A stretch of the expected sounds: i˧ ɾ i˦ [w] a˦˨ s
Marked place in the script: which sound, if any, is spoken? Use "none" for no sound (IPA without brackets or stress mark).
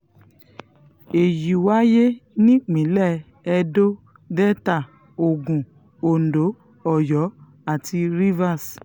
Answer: v